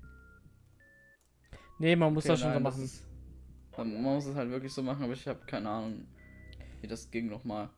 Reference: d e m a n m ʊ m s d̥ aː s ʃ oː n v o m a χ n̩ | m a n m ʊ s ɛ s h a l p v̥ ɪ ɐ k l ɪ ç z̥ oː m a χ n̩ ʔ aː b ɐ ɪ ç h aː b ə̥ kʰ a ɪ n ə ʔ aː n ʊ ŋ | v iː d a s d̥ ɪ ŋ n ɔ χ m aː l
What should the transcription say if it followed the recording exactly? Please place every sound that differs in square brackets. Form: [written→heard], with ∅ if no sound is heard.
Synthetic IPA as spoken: [d→n] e m a n m ʊ [m→∅] s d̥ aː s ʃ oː n [v→z] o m a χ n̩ | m a n m ʊ s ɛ s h a l [p→t] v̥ ɪ ɐ k l ɪ ç z̥ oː m a χ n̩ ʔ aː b ɐ ɪ ç h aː b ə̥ kʰ a ɪ n ə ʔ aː n ʊ ŋ | v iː d a s [d̥→ɡ̥] ɪ ŋ n ɔ χ m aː l

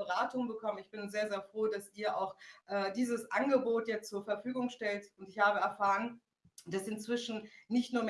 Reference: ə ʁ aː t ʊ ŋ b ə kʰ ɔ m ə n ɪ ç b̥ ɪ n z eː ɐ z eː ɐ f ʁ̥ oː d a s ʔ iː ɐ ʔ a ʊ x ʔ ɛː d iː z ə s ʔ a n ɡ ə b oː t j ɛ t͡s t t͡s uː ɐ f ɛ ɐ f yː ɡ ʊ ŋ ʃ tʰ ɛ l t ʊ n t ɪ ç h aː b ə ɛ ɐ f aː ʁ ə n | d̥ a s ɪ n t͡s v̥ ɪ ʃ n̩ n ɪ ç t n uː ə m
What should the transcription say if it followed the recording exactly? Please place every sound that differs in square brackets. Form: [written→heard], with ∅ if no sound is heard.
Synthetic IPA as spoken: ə ʁ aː t ʊ ŋ b ə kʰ ɔ m ə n ɪ ç b̥ ɪ n z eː ɐ z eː ɐ f ʁ̥ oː d a s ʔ iː ɐ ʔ a ʊ x ʔ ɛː d iː z ə s ʔ a n ɡ ə b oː t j ɛ t͡s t t͡s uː ɐ f ɛ ɐ f yː ɡ ʊ ŋ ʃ [tʰ→t] ɛ l t ʊ n t ɪ ç h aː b ə ɛ ɐ f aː ʁ ə n | d̥ a s ɪ n t͡s v̥ ɪ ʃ n̩ n ɪ ç t n uː [ə→ɐ] m

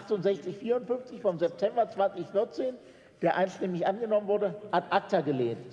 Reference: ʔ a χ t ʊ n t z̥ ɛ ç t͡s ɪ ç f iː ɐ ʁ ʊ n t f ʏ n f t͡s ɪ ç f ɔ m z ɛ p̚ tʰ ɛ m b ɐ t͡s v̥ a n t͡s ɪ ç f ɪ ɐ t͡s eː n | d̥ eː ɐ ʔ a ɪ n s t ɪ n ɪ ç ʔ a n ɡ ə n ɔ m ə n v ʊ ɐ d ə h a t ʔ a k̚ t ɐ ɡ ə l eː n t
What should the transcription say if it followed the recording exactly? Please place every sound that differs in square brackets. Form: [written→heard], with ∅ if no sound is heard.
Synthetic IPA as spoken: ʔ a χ t ʊ n t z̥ ɛ ç t͡s ɪ ç f iː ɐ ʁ ʊ n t f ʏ n f t͡s ɪ ç f ɔ m z ɛ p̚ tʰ ɛ m b ɐ t͡s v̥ a n t͡s ɪ ç f ɪ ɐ t͡s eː n | d̥ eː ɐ ʔ a ɪ n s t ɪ [n→m] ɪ ç ʔ a n ɡ ə n ɔ m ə n v ʊ ɐ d ə h a t ʔ a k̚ t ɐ ɡ ə l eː n t

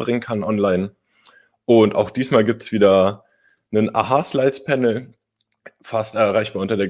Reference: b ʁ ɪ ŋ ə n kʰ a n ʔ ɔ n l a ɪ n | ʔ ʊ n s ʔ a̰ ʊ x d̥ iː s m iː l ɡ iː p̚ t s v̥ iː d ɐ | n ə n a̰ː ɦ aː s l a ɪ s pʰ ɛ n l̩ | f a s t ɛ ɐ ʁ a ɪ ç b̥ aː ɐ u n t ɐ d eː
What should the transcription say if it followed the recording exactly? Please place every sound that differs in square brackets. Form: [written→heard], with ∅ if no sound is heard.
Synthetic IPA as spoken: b ʁ ɪ ŋ ə n kʰ a n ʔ ɔ n l a ɪ n | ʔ ʊ n [s→t] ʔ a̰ ʊ x d̥ iː s m [iː→aː] l ɡ iː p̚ t s v̥ iː d ɐ | n ə n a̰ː ɦ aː s l a ɪ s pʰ ɛ n l̩ | f a s t ɛ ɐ ʁ a ɪ ç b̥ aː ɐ [u→ʊ] n t ɐ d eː

